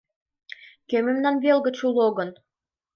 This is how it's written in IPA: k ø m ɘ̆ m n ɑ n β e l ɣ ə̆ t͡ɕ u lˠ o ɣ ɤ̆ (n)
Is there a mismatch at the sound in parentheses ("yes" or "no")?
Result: no